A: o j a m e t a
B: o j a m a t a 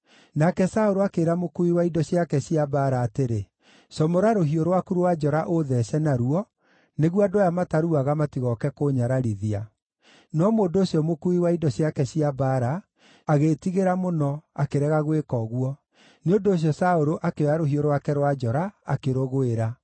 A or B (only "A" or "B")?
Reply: B